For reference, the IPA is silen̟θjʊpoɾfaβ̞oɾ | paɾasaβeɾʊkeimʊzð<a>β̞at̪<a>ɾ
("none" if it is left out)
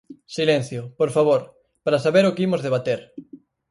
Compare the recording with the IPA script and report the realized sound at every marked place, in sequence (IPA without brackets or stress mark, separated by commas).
e, e